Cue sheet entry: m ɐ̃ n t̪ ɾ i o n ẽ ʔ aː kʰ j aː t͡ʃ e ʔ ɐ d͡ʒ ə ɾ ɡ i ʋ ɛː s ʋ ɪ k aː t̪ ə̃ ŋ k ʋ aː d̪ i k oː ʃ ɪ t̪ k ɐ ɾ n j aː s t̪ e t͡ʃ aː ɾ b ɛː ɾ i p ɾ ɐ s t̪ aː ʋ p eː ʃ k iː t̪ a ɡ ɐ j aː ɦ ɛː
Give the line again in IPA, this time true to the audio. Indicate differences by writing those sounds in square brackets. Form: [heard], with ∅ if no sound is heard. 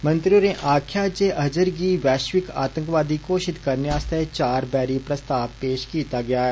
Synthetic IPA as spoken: m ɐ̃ n t̪ ɾ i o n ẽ ʔ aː kʰ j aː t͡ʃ e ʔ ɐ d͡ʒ ə ɾ ɡ i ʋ ɛː [ʃ] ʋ ɪ k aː t̪ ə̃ ŋ k ʋ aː d̪ i k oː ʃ ɪ t̪ k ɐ ɾ n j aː s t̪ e t͡ʃ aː ɾ b ɛː ɾ i p ɾ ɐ s t̪ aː ʋ p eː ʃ k iː t̪ a ɡ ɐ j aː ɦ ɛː